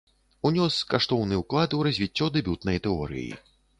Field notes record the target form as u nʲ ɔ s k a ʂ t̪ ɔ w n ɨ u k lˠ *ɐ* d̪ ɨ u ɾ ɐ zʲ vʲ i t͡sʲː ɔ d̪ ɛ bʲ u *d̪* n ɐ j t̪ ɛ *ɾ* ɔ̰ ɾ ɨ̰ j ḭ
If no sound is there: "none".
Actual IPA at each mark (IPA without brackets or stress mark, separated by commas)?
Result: a, t̪, none